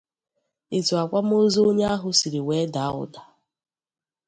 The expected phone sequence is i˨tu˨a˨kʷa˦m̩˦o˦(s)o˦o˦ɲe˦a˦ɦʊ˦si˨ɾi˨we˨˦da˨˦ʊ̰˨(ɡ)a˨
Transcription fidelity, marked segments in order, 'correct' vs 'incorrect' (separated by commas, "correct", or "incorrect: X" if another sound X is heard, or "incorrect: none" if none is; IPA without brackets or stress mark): incorrect: z, incorrect: d